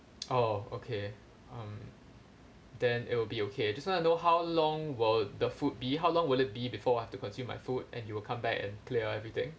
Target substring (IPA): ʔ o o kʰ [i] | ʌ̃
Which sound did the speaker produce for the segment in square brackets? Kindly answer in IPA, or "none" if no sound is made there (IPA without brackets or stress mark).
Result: e